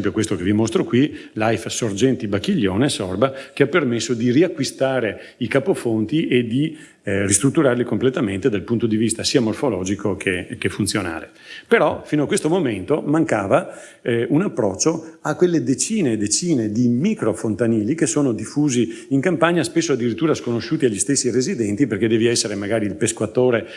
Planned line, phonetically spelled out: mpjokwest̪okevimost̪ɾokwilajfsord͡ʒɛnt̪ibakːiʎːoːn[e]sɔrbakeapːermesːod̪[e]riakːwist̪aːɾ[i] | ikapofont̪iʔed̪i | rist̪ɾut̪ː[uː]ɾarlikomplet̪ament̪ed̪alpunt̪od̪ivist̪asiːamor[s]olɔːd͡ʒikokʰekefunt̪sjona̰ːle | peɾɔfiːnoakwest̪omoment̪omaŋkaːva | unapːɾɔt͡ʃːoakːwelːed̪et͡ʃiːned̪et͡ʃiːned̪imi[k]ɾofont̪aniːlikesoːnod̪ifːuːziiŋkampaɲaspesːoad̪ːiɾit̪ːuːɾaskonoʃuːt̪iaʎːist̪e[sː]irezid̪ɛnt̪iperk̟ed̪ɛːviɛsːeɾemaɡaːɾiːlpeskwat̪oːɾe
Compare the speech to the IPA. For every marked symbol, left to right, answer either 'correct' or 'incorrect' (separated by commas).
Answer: correct, incorrect, incorrect, incorrect, incorrect, correct, correct